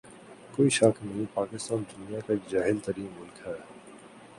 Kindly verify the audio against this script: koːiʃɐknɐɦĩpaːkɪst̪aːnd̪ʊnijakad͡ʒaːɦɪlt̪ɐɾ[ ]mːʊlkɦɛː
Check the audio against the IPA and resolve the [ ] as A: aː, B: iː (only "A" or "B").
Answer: B